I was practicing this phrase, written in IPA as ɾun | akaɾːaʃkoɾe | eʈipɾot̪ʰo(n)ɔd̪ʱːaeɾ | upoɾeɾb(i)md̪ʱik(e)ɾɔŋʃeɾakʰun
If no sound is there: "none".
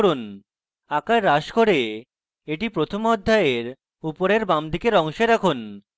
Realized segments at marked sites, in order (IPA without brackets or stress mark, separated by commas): m, a, e